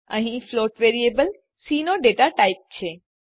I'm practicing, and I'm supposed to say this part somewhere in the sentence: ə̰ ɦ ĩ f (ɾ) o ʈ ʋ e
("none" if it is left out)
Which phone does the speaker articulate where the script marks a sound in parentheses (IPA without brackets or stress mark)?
l